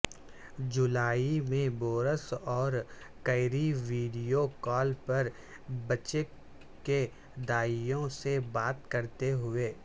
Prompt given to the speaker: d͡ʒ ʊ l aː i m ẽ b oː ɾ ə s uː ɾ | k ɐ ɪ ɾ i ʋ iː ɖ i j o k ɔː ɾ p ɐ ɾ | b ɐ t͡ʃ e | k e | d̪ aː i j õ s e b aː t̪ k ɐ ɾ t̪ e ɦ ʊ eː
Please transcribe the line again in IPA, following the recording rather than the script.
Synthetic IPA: d͡ʒ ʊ l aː i m ẽ b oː ɾ ə s ɔː ɾ | k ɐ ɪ ɾ i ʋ iː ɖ i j o k ɔː l p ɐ ɾ | b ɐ t͡ʃ e | k e | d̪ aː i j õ s e b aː t̪ k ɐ ɾ t̪ e ɦ ʊ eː

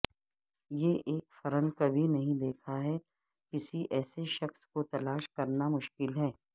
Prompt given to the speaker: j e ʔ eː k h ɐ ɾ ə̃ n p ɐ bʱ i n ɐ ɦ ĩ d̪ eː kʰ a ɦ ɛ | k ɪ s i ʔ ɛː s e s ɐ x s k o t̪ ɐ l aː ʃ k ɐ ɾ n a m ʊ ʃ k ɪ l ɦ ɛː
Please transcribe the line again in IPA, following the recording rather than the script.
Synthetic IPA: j e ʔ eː k f ɐ ɾ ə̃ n k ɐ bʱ i n ɐ ɦ ĩ d̪ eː kʰ a ɦ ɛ | k ɪ s i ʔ ɛː s e ʃ ɐ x s k o t̪ ɐ l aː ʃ k ɐ ɾ n a m ʊ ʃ k ɪ l ɦ ɛː

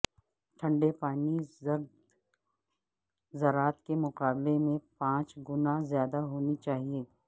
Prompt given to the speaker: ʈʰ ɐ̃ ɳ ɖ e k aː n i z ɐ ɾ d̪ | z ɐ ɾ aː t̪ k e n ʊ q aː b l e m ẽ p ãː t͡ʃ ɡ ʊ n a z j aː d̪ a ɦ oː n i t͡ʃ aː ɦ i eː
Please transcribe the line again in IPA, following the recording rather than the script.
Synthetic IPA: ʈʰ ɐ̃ ɳ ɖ e p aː n i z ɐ ɾ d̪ | z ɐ ɾ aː t̪ k e m ʊ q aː b l e m ẽ p ãː t͡ʃ ɡ ʊ n a z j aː d̪ a ɦ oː n i t͡ʃ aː ɦ i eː

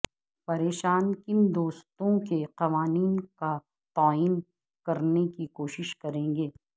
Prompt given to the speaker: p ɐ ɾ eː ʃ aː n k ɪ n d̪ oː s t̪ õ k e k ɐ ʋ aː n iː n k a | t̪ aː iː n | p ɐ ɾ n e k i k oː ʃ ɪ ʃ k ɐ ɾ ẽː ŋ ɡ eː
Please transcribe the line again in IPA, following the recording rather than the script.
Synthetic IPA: p ɐ ɾ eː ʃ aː n k ɪ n d̪ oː s t̪ õ k e q ɐ ʋ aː n iː n k a | t̪ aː iː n | k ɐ ɾ n e k i k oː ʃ ɪ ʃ k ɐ ɾ ẽː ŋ ɡ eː

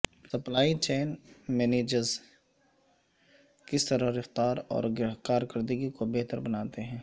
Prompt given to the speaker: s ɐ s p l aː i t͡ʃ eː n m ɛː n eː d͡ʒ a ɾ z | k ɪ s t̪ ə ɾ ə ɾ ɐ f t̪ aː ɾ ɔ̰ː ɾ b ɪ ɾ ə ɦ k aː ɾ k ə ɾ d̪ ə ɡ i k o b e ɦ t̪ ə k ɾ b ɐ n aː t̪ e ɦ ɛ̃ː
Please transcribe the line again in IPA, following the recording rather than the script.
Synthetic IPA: s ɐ p l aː i t͡ʃ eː n m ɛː n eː d͡ʒ ə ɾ z | k ɪ s t̪ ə ɾ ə ɾ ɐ f t̪ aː ɾ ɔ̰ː ɾ ɡ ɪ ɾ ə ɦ k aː ɾ k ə ɾ d̪ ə ɡ i k o b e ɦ t̪ ə ɾ b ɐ n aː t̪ e ɦ ɛ̃ː

